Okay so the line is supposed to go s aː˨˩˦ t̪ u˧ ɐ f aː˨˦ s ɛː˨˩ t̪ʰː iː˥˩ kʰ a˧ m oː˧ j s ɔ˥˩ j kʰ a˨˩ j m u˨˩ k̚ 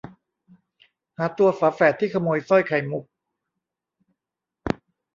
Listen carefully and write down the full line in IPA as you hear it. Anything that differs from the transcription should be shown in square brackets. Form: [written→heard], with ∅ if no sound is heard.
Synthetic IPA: [s→h] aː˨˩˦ t̪ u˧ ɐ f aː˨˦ [s→f] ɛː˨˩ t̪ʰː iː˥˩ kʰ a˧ m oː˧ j s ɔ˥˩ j kʰ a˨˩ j m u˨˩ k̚